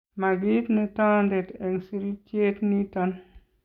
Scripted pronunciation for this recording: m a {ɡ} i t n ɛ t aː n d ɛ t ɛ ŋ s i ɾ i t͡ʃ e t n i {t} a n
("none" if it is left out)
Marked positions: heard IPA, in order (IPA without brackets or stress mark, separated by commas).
ɡ, t